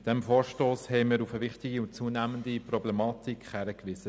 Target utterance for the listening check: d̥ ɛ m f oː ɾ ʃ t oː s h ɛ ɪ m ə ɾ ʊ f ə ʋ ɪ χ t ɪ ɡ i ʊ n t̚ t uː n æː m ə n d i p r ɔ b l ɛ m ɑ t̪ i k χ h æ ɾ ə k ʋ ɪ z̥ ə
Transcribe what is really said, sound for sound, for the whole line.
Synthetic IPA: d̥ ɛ m f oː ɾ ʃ t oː s h ɛ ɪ m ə ɾ u f ə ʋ ɪ χ t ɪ ɡ i ʊ n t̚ t͡s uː n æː m ə n d i p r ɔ b l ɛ m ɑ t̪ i k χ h æ ɾ ə k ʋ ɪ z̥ ə